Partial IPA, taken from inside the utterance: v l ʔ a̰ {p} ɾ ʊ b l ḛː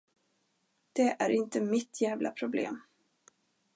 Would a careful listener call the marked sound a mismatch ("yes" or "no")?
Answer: yes